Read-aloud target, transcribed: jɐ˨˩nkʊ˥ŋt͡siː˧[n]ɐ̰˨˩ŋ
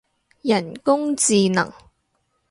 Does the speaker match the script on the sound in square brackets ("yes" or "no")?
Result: yes